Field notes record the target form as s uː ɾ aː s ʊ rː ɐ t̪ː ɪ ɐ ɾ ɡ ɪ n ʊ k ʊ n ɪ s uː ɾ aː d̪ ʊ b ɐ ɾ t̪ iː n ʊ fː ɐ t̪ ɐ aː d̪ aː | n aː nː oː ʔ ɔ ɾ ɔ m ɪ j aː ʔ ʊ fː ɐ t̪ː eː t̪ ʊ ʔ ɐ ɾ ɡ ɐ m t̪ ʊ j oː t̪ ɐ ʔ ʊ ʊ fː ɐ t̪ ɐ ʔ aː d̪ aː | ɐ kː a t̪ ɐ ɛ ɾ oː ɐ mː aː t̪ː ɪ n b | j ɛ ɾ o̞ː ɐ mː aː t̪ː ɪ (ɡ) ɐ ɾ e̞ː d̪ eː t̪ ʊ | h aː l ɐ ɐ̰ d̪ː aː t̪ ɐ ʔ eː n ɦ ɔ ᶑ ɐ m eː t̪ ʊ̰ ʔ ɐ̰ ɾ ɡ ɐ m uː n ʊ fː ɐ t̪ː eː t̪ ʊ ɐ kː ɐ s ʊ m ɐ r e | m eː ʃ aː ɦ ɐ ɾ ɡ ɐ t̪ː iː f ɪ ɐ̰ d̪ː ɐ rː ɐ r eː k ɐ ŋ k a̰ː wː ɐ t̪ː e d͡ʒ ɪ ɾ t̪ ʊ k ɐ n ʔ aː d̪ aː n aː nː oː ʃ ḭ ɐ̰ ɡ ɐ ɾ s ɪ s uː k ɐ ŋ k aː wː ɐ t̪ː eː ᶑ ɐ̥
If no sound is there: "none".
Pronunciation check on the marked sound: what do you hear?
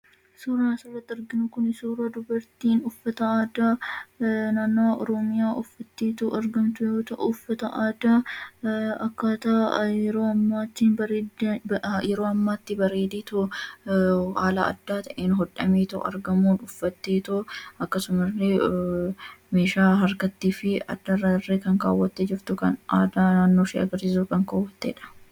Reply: b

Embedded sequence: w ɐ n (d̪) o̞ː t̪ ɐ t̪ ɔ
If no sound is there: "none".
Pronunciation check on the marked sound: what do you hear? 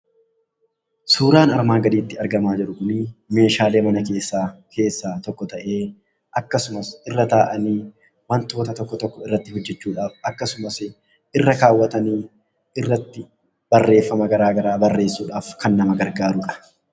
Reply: t̪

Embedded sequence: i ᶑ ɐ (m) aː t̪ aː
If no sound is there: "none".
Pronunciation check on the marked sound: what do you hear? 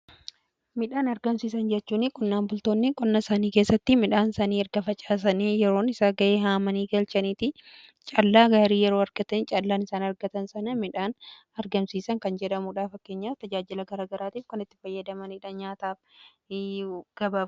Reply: ɲ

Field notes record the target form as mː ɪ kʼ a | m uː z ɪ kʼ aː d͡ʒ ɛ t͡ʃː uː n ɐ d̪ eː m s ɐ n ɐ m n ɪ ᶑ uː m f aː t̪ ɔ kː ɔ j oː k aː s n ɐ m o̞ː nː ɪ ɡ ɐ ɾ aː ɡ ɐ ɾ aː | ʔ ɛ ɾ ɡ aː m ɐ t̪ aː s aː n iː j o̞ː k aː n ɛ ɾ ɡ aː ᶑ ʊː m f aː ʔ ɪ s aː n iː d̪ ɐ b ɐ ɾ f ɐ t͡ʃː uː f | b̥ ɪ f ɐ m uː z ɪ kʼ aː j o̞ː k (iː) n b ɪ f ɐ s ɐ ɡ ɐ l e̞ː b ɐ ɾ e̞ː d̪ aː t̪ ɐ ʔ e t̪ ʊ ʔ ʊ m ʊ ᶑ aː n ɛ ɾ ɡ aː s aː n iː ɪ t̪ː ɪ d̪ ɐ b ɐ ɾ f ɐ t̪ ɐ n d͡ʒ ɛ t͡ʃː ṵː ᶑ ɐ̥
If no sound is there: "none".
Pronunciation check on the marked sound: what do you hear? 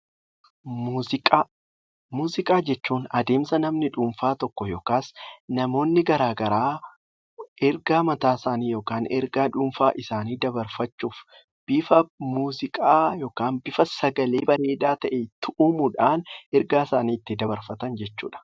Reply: aː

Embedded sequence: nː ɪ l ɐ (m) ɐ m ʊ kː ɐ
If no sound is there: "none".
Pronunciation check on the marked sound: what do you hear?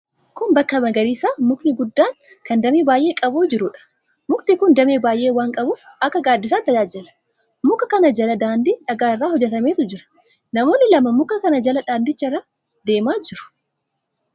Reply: m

